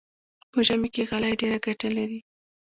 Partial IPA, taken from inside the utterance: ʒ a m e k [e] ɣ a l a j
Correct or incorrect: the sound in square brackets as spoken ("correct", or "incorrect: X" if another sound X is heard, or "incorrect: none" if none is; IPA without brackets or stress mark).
correct